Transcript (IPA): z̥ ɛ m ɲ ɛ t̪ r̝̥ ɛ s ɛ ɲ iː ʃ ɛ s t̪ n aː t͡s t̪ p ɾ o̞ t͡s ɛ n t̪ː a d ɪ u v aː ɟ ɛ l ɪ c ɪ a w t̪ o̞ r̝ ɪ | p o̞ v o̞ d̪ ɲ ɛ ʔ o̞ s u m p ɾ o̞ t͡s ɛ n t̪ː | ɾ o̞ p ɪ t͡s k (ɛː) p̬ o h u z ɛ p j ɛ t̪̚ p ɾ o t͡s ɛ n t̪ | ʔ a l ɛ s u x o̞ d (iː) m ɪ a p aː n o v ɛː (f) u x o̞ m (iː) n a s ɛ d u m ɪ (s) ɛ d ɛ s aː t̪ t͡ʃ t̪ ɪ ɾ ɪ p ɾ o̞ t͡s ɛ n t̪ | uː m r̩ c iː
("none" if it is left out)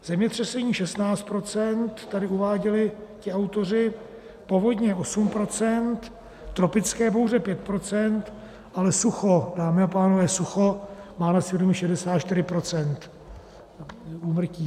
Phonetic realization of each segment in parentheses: ɛː, aː, s, aː, ʃ

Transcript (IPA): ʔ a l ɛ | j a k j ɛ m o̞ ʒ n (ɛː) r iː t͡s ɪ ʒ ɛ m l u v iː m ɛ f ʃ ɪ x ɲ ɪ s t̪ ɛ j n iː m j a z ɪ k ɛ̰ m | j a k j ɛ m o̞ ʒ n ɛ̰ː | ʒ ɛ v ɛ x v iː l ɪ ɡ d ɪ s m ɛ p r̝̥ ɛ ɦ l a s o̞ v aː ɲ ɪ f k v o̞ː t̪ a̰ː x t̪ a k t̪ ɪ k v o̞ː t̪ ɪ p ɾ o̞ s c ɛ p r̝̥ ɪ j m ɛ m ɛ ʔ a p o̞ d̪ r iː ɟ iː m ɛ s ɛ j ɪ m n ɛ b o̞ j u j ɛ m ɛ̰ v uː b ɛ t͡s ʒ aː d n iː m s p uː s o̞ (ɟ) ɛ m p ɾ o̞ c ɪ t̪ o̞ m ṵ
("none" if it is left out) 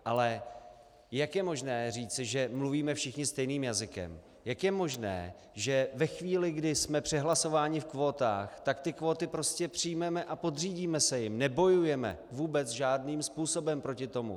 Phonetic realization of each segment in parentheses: ɛː, b

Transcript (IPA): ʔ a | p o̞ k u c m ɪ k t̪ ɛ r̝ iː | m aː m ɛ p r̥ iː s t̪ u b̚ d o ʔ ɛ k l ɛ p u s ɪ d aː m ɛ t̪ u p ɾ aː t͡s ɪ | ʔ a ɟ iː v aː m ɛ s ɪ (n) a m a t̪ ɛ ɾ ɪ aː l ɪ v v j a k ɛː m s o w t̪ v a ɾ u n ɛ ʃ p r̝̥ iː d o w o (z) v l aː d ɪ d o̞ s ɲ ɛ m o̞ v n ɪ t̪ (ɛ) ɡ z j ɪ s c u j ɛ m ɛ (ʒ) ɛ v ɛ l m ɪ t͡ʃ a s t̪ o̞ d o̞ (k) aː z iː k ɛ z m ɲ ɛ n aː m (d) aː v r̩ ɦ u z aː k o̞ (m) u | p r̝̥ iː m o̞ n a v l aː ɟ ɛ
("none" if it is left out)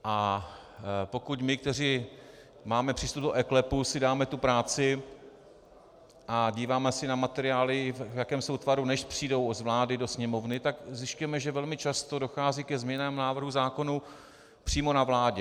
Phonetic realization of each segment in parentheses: n, z, a, ʒ, x, n, n

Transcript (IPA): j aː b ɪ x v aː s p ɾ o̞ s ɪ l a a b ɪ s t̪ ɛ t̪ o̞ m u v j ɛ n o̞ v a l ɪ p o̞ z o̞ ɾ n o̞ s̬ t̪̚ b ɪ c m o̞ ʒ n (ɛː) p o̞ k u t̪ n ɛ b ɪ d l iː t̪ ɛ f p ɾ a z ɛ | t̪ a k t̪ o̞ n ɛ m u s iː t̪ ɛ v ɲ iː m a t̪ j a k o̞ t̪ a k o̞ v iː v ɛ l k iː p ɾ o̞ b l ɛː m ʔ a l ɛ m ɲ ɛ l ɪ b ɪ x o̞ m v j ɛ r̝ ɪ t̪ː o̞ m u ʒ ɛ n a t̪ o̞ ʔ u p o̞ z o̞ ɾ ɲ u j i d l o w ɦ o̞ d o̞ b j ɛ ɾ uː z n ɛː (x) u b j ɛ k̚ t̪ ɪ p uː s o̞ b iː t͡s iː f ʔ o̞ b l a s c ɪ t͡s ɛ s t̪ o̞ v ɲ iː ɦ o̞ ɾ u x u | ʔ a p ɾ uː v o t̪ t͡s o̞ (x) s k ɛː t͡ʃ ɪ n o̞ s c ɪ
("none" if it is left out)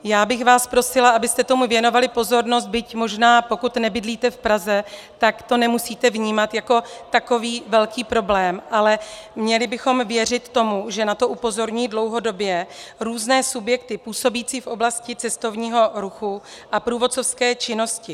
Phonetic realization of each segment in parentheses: aː, s, f

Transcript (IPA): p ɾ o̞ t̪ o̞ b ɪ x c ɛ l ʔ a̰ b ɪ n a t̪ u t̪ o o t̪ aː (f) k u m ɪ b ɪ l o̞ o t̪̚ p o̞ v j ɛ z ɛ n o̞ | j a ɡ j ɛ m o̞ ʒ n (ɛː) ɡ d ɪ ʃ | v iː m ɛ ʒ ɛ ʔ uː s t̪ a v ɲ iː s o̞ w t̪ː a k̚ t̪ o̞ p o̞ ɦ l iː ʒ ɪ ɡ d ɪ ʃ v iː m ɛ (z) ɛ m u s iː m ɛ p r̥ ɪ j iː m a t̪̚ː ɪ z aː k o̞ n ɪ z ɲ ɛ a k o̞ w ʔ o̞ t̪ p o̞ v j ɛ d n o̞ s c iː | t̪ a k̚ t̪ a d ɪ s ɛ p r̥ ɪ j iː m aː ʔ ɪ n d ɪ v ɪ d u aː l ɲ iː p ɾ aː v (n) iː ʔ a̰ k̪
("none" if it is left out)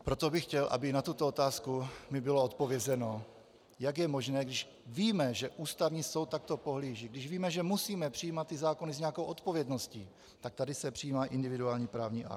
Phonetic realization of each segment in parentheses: s, ɛː, ʒ, ɲ

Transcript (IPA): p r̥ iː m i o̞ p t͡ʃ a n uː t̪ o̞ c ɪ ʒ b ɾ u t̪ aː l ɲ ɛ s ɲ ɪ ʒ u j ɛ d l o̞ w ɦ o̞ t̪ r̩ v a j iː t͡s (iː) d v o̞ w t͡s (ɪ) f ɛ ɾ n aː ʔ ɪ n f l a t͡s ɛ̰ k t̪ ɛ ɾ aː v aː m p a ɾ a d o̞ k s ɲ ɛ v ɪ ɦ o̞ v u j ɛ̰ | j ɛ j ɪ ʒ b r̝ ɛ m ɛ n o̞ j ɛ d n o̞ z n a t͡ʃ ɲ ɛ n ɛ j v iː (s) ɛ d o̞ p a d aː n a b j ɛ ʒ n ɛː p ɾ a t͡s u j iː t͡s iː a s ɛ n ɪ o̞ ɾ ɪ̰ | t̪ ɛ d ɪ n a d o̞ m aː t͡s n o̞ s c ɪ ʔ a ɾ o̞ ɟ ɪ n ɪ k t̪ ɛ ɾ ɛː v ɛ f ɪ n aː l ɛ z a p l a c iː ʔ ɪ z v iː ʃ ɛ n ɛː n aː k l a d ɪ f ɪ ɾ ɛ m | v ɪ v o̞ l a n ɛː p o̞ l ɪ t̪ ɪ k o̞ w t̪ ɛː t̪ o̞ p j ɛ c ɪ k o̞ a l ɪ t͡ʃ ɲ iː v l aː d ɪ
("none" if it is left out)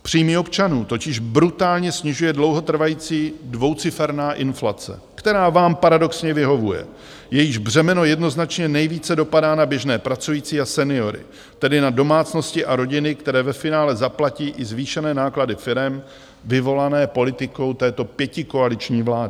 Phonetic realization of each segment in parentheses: iː, ɪ, t͡s

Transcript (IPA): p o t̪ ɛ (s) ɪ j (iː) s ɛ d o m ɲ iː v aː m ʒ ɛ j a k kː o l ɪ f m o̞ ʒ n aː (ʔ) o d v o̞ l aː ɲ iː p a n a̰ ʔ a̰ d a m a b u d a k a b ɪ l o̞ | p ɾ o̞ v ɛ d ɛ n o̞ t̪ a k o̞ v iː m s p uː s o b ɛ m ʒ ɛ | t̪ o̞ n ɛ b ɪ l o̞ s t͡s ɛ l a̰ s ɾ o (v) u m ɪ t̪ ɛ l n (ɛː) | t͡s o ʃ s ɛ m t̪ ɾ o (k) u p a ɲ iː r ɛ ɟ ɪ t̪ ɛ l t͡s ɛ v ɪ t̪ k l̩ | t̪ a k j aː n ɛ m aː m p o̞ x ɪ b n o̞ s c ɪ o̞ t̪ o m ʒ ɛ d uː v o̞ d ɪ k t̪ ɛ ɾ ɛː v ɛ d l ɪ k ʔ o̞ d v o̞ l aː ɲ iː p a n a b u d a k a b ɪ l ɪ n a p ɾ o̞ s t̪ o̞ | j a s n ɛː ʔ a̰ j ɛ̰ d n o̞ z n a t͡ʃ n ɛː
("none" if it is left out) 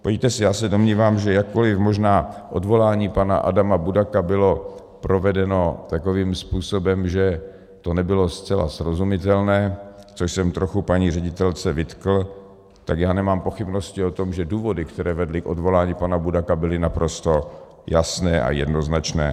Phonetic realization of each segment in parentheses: s, aː, ʔ, z, ɛː, x

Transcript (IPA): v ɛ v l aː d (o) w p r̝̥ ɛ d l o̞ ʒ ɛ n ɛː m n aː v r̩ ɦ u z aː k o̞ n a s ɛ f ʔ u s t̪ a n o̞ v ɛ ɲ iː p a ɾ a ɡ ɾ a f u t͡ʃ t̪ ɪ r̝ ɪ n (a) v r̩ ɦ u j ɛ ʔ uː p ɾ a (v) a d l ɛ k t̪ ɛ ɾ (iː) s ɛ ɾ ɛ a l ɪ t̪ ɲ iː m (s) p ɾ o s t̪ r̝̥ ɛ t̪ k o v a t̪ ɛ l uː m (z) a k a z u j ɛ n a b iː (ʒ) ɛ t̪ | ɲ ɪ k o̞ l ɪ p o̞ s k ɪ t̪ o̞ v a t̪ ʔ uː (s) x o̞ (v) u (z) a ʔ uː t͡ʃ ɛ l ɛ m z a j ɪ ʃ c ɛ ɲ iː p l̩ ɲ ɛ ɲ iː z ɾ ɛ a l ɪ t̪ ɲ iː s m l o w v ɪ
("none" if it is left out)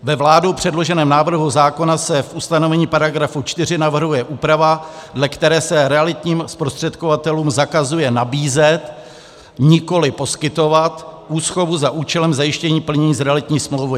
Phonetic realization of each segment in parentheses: o, a, v, ɛː, s, z, z, s, v, z

